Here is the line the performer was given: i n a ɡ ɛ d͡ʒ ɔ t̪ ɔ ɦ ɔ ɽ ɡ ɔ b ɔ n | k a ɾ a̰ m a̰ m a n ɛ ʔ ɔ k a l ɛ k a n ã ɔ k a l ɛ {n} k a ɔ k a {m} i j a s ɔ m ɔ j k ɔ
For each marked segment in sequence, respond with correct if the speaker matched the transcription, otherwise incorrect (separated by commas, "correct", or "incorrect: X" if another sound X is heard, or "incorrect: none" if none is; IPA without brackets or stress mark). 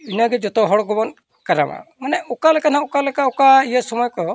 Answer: incorrect: none, incorrect: none